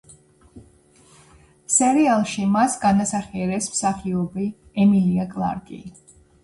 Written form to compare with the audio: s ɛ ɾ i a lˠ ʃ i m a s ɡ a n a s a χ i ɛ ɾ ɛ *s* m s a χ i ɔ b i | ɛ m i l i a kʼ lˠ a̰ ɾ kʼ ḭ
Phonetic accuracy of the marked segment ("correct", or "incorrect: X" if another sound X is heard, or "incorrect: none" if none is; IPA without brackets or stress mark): correct